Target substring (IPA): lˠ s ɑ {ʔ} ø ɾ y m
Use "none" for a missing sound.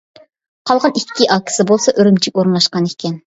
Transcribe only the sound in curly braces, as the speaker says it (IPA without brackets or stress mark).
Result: ʔ